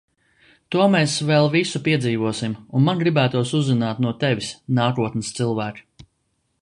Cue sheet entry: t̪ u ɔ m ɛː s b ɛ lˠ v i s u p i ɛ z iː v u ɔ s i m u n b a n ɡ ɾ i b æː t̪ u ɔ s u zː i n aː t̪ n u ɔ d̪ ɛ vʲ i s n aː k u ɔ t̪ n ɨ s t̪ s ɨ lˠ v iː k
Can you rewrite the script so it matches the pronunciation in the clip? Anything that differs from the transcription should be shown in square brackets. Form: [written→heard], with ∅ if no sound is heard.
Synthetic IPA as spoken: t̪ u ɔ m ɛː s [b→v] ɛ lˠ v i s u p i ɛ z iː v u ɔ s i m u n [b→m] a n ɡ ɾ i b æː t̪ u ɔ s u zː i n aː t̪ n u ɔ [d̪→t̪] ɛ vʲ i s n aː k u ɔ t̪ n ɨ s t̪ s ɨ lˠ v [iː→æː] k

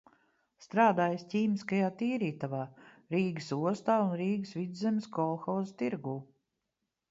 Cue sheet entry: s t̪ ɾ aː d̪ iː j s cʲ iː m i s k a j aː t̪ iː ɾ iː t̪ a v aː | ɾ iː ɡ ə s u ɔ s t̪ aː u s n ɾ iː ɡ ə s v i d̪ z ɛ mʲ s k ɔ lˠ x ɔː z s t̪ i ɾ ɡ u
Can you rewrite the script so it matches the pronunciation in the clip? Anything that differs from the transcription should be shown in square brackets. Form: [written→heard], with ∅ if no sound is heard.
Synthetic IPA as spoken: s t̪ ɾ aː d̪ [iː→aː] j s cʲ iː m i s k a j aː t̪ iː ɾ iː t̪ a v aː | ɾ iː ɡ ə s u ɔ s t̪ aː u [s→∅] n ɾ iː ɡ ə s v i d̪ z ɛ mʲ s k ɔ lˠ x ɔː z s t̪ i ɾ ɡ [u→uː]

